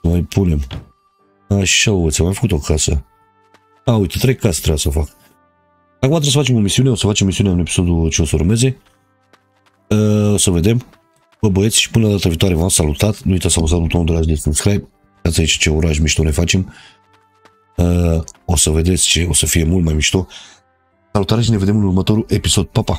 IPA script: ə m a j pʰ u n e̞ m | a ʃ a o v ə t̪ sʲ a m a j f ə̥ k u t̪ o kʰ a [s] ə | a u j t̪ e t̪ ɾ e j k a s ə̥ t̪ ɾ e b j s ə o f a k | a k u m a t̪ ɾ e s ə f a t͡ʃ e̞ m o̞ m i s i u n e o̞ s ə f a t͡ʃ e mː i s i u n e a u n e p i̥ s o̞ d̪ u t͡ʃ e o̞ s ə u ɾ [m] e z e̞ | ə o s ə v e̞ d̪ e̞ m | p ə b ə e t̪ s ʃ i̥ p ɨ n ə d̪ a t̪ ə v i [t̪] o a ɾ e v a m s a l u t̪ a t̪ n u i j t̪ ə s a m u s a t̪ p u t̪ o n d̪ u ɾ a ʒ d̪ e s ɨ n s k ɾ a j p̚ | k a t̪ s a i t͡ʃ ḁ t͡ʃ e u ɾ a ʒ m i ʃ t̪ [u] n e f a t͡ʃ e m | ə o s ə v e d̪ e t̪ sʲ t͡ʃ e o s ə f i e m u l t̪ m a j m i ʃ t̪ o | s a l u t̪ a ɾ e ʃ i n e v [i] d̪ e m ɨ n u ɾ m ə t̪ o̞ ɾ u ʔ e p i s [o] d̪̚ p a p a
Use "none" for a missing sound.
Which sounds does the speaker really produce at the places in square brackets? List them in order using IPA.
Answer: s, m, t̪, o, e, o

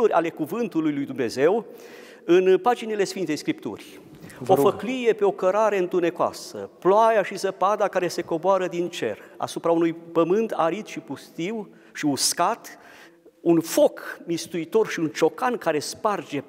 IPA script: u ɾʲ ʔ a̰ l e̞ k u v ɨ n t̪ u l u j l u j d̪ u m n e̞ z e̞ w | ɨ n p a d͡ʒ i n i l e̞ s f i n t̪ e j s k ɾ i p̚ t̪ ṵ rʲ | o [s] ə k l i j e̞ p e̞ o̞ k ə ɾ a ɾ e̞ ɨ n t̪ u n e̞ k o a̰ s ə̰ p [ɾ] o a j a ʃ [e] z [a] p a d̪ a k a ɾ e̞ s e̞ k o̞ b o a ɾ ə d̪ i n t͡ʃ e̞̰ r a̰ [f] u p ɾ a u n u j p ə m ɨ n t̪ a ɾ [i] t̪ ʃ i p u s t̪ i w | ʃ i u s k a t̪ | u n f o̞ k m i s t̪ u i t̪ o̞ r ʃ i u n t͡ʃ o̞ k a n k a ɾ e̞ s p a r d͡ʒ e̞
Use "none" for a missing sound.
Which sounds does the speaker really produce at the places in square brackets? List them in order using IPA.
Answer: f, l, i, ə, s, i

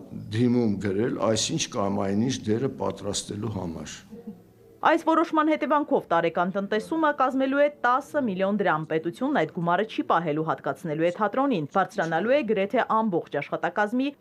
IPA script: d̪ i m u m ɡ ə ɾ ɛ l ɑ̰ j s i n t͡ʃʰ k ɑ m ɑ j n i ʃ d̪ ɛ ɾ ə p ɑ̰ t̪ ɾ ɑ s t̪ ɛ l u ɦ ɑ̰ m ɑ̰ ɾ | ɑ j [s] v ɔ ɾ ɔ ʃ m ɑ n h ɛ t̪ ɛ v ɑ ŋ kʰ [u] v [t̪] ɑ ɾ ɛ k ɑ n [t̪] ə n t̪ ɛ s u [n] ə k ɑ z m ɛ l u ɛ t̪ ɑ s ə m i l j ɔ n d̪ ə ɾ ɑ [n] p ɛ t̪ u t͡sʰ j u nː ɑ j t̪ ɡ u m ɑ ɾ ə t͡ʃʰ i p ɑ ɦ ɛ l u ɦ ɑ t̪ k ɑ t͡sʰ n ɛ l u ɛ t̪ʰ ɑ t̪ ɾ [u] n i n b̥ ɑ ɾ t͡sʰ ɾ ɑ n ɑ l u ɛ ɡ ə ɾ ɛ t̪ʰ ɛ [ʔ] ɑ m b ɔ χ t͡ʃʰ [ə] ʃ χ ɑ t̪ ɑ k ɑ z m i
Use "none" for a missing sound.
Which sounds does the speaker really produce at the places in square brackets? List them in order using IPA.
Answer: s, ɔ, t̪, t̪, m, m, ɔ, ʔ, ɑ

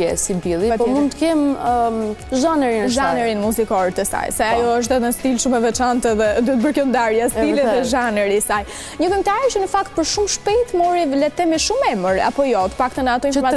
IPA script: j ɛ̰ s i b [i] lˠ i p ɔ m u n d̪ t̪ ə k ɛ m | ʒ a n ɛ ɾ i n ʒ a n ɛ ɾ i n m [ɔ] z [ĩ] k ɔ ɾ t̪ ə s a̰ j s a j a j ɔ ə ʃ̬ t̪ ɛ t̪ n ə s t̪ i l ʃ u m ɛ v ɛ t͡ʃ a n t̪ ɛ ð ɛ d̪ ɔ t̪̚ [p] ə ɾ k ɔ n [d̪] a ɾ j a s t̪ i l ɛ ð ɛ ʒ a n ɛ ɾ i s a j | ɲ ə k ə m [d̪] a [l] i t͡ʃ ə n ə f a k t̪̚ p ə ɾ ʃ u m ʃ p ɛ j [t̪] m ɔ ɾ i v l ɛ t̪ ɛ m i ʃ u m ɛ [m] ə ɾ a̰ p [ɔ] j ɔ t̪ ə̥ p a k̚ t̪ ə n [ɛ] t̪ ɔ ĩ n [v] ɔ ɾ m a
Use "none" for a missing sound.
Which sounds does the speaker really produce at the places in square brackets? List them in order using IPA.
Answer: i, u, i, b, d̪, t̪, ɾ, t̪, m, ɔ, a, f

